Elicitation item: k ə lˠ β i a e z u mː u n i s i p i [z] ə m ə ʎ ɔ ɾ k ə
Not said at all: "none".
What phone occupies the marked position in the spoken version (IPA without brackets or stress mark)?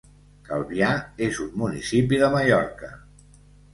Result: ð